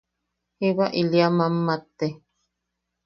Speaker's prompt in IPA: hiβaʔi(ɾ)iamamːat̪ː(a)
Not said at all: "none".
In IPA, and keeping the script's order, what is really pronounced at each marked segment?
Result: l, e

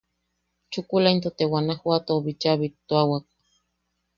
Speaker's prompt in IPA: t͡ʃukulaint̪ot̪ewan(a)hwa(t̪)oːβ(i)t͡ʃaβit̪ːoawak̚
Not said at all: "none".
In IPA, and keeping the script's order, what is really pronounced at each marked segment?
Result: a, t̪, i

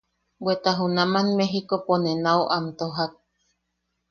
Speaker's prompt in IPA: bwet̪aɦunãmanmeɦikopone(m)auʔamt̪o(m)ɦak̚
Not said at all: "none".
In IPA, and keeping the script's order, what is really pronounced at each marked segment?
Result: n, none

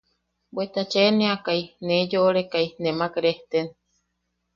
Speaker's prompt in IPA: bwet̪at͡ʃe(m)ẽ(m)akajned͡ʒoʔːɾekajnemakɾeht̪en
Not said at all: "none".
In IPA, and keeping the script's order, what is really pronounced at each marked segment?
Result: n, none

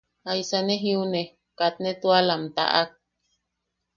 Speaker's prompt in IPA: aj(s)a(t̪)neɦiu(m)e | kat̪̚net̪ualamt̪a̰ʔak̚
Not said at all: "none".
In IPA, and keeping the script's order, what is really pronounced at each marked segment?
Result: s, none, n

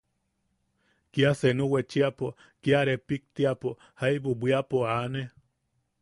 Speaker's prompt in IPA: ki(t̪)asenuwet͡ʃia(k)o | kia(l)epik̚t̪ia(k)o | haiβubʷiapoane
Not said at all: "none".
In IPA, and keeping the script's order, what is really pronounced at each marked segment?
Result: none, p, ɾ, p

